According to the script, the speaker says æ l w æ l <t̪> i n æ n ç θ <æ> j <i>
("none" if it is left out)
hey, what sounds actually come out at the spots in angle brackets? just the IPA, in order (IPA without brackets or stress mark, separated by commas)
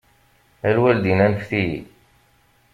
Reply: d̪, i, i